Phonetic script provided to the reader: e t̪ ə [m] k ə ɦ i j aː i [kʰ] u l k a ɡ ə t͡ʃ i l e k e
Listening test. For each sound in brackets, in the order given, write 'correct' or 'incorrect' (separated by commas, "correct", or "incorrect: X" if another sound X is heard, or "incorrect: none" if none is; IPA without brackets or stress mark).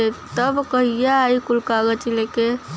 incorrect: b, incorrect: k